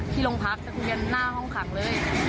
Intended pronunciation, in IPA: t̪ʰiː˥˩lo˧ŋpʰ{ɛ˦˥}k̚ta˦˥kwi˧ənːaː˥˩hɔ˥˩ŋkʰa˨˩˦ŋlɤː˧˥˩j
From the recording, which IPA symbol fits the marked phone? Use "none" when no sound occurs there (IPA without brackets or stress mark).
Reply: a˦˥